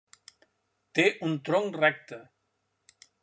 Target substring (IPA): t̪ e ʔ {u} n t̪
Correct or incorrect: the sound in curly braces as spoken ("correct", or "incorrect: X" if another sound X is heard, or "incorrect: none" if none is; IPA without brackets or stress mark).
correct